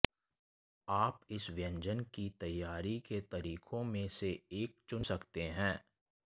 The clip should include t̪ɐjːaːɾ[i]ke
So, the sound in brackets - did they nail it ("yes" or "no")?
yes